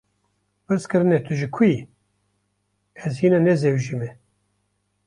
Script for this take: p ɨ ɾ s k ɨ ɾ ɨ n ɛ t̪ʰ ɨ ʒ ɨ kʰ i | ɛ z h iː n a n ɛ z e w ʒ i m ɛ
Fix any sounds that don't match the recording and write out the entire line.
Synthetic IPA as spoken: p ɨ ɾ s k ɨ ɾ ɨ n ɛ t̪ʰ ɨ ʒ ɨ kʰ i | ɛ z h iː n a n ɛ z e w ʒ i m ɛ